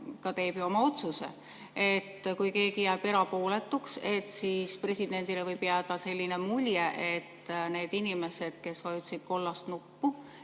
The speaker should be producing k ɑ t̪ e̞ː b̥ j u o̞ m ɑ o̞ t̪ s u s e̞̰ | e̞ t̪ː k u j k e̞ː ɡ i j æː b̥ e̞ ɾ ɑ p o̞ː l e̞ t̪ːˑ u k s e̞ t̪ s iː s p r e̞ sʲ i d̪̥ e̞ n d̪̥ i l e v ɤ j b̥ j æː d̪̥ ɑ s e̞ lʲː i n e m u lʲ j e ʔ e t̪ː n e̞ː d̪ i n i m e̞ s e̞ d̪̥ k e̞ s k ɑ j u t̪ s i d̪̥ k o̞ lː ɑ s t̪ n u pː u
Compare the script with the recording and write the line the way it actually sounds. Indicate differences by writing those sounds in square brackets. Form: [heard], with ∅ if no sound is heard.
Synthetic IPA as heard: k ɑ t̪ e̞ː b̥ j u o̞ m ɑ o̞ t̪ s u s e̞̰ | e̞ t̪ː k u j k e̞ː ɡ i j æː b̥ e̞ ɾ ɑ p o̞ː l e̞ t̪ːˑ u k s e̞ t̪ s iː s p r e̞ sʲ i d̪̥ e̞ n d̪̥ i l e v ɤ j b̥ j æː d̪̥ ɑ s e̞ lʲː i n e m u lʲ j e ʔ e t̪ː n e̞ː d̪ i n i m e̞ s e̞ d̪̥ k e̞ s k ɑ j u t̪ s i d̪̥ k o̞ lː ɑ s t̪ n u pː u